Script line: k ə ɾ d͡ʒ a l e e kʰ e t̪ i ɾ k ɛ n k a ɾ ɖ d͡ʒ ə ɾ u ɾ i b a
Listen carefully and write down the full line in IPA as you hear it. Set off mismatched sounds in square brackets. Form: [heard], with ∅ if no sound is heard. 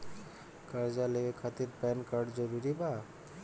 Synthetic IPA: k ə ɾ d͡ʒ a l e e kʰ [a] t̪ i ɾ [p] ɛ n k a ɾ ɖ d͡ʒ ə ɾ u ɾ i b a